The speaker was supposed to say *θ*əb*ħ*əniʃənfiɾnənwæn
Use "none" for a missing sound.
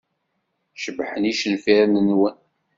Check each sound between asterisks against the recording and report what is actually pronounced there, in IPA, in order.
ʃ, ħ

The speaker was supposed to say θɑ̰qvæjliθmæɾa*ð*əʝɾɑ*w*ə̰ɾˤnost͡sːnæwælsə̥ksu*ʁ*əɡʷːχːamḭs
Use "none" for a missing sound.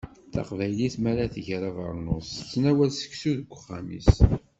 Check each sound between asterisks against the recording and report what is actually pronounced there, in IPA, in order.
θ, v, ð

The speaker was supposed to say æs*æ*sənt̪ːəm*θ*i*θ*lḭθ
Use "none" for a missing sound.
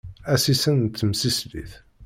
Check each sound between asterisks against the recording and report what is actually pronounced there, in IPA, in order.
i, s, s

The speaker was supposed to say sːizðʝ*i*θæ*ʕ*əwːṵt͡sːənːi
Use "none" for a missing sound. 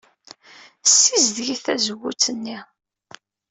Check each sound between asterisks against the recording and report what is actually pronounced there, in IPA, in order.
i, z

